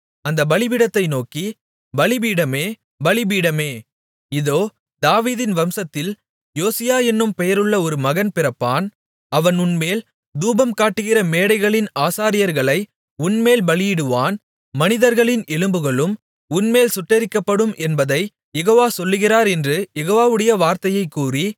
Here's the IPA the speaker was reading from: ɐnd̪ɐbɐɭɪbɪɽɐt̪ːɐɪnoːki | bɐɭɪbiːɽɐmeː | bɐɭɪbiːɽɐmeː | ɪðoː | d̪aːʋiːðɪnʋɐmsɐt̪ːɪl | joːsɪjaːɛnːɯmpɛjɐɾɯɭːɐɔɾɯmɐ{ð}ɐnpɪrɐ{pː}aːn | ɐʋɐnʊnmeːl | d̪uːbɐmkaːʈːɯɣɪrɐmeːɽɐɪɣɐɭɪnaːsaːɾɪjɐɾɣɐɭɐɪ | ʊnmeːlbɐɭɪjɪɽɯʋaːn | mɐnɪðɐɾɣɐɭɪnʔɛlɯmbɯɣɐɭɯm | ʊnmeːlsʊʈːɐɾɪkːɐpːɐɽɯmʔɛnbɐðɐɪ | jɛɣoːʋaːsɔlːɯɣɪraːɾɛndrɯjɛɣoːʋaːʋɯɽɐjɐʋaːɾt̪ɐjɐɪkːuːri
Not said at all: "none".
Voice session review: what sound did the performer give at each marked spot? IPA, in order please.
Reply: ɣ, pː

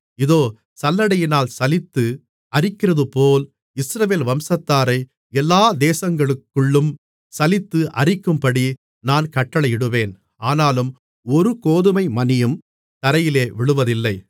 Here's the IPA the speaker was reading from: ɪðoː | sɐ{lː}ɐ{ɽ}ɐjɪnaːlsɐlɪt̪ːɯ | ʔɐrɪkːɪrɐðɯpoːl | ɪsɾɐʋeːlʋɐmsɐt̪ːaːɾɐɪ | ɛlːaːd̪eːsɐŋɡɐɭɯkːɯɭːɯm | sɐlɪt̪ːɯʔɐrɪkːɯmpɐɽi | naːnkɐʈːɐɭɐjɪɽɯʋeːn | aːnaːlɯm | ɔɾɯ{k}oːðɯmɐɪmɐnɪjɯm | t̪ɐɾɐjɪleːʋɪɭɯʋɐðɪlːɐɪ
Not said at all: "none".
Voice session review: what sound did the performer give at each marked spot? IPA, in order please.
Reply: lː, ɽ, k

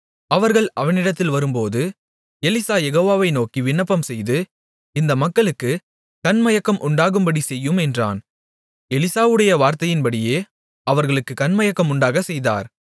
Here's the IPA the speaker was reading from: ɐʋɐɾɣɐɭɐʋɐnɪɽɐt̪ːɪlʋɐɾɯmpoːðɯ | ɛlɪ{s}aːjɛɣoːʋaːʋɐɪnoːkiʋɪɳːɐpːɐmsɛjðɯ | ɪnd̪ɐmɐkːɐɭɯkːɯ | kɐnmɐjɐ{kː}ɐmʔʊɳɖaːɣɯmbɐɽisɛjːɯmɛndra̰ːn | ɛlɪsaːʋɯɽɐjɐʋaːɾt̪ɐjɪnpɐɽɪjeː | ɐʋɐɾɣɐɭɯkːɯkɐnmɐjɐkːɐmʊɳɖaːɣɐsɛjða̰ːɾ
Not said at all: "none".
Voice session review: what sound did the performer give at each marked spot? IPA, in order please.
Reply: s, kː

